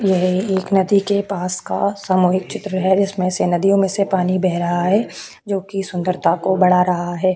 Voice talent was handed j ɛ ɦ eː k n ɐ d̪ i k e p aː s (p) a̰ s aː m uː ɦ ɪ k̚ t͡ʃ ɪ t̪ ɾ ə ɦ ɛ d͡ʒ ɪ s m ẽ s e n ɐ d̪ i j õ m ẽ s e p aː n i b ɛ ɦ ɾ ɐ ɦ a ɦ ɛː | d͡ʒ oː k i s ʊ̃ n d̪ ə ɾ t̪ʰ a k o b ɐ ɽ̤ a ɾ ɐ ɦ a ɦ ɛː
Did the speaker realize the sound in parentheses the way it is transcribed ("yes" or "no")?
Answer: no